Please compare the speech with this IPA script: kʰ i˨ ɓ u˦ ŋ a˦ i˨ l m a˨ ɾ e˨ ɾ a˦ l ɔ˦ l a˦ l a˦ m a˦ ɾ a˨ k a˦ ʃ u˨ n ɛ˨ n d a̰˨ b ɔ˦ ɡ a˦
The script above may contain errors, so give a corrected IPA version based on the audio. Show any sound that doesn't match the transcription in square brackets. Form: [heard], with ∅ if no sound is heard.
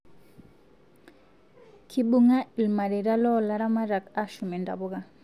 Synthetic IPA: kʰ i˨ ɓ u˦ ŋ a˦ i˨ l m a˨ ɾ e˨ ɾ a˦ l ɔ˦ l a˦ [ɾ] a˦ m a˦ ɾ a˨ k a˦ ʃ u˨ [m] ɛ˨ n d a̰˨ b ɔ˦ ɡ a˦